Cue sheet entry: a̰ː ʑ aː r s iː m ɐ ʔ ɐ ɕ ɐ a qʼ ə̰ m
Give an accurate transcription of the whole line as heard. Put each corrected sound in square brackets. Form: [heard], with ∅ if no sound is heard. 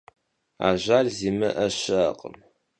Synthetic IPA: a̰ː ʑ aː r [z] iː m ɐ ʔ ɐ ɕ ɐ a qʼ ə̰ m